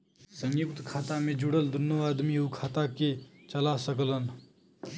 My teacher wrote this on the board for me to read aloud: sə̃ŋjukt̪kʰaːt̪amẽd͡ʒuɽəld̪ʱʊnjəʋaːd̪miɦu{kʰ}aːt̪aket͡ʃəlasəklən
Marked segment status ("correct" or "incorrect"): correct